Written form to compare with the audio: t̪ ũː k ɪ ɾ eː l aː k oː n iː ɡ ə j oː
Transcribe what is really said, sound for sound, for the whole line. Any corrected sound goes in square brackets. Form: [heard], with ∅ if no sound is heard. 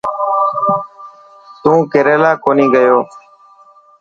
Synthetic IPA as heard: t̪ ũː k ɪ ɾ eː l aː k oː n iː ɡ ə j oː